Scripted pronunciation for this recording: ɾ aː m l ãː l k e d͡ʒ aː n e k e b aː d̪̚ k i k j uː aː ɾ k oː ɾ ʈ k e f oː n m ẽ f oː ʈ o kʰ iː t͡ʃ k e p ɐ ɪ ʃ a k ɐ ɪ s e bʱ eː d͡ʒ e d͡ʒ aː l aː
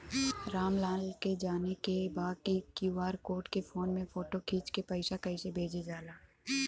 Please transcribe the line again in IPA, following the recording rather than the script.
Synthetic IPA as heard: ɾ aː m l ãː l k e d͡ʒ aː n e k e b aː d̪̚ k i k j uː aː ɾ k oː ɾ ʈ k e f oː n m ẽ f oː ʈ o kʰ iː t͡ʃ k e p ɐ ɪ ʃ a k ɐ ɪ s e bʱ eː d͡ʒ e d͡ʒ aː l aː